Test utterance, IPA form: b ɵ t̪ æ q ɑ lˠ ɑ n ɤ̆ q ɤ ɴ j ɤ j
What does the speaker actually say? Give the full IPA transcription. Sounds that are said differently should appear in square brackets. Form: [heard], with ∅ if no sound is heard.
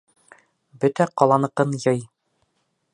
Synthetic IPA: b ɵ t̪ æ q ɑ lˠ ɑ n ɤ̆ q ɤ [n] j ɤ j